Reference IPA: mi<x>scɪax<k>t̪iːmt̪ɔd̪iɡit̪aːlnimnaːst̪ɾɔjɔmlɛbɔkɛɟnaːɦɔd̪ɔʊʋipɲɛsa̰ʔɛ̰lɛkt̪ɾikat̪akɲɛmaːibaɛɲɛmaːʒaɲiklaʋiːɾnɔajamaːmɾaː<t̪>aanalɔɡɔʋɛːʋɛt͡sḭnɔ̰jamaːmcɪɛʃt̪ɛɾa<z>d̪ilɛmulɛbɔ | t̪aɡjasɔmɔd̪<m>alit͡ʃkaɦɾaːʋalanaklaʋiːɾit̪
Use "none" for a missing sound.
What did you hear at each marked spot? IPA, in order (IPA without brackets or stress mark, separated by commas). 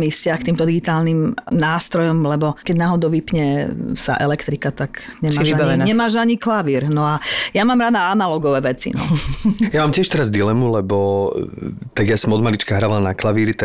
f, k, d̪, z, m